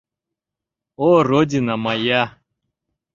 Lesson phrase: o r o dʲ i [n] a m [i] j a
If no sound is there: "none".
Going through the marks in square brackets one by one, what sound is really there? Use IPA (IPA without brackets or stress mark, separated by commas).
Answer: n, a